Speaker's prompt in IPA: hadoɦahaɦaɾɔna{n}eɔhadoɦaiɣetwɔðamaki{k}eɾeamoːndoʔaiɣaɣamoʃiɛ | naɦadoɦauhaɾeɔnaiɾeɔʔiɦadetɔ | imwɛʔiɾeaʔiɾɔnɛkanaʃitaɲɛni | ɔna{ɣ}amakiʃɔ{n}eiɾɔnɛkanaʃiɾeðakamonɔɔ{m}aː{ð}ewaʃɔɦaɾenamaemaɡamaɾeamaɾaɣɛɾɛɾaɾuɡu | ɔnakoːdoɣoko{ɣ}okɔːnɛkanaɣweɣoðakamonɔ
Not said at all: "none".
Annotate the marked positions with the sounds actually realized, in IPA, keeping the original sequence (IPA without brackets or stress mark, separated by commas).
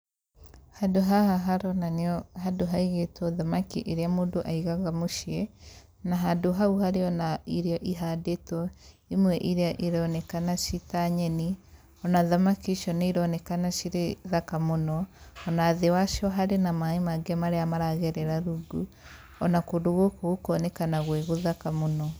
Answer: n, ʔ, ð, n, n, ð, ɣ